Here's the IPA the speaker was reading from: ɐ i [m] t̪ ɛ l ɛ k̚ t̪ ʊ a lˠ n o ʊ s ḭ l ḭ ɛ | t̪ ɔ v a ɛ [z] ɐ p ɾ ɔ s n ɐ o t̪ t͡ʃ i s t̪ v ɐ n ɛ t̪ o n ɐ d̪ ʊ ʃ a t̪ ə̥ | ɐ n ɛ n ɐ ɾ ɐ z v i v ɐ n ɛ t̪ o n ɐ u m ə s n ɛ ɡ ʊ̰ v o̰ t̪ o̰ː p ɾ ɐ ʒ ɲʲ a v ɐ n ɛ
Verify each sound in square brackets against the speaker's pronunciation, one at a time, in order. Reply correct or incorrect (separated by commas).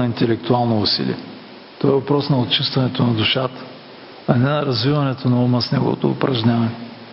incorrect, incorrect